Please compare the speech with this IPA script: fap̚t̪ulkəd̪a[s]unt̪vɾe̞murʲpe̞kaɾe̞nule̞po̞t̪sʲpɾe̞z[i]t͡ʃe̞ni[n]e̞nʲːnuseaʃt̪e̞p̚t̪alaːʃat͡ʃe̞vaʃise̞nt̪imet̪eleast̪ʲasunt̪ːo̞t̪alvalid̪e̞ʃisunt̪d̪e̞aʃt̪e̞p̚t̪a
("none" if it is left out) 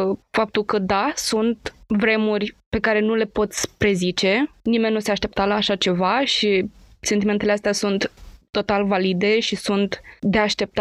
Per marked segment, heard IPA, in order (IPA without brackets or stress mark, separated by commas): s, i, m